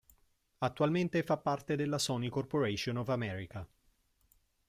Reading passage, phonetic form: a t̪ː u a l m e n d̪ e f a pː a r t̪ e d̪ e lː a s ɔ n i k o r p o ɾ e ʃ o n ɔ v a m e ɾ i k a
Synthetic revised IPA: a t̪ː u a l m e n t̪ e f a pː a r t̪ e d̪ e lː a s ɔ n i k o r p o ɾ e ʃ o n ɔ v a m ɛ ɾ i k a